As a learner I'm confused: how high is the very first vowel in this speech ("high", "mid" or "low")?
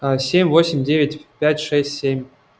mid